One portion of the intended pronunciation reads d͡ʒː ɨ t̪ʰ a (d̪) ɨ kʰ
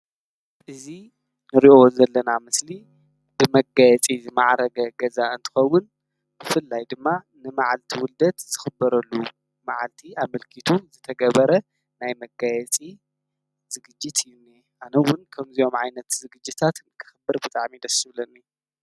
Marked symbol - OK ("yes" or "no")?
no